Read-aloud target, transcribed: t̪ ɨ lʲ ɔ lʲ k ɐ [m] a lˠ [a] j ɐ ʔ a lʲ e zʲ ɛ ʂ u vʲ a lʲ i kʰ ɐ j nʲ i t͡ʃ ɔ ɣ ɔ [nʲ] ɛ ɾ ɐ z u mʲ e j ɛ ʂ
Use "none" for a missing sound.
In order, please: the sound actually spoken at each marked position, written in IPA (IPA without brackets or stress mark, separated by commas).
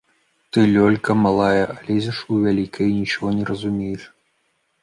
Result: m, a, nʲ